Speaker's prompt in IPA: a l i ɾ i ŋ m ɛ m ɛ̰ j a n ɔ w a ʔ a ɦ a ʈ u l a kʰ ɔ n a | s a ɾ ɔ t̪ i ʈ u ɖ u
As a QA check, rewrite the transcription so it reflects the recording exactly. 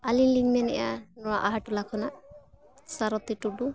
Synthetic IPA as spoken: a l i l i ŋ m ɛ n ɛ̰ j a n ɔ w a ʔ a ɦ a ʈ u l a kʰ ɔ n a | s a ɾ ɔ t̪ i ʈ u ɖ u